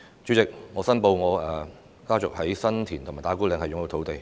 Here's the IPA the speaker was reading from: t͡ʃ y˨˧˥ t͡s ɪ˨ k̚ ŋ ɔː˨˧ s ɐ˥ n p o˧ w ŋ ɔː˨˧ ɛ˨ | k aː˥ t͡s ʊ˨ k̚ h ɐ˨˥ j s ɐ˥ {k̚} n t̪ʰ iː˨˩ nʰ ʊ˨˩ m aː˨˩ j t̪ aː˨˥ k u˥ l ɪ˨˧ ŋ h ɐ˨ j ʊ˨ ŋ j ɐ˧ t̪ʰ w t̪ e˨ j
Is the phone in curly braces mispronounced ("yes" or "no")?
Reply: yes